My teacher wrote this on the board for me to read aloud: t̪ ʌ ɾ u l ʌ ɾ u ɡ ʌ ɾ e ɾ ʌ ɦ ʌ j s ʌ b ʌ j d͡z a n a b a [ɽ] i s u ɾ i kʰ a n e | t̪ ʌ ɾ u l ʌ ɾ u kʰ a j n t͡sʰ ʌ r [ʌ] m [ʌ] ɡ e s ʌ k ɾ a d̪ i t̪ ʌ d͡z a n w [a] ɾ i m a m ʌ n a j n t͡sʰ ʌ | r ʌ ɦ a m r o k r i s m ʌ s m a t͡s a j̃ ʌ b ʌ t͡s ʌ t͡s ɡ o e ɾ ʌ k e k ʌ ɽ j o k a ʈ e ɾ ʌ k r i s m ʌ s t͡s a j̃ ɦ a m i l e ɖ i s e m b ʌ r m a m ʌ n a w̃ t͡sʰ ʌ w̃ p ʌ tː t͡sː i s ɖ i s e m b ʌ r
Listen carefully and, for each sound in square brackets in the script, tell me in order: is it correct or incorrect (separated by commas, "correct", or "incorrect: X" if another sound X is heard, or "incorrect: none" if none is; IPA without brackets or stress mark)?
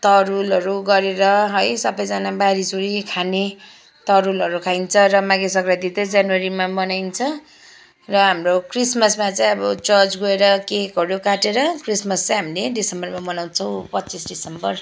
incorrect: ɾ, correct, incorrect: a, correct